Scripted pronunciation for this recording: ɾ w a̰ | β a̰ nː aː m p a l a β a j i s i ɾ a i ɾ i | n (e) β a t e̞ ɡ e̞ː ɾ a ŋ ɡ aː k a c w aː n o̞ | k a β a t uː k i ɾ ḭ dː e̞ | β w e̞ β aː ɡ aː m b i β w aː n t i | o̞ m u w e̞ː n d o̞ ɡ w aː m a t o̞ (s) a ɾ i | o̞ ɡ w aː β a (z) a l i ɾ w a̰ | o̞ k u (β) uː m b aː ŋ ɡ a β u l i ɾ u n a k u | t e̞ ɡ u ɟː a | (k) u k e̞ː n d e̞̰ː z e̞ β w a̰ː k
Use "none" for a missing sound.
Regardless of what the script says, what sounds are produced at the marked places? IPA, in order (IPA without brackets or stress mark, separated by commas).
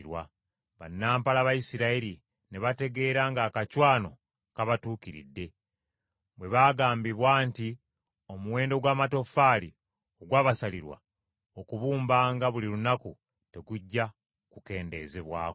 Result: e, f, s, β, k